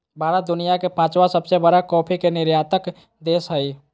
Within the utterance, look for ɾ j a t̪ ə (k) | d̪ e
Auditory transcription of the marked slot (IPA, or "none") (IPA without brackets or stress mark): k